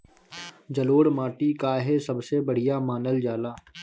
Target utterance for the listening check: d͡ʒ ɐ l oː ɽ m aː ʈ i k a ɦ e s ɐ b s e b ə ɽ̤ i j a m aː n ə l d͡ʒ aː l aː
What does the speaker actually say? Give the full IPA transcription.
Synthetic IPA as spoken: d͡ʒ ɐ l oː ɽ m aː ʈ i k a ɦ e s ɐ b s e b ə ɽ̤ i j a m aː n ə l d͡ʒ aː l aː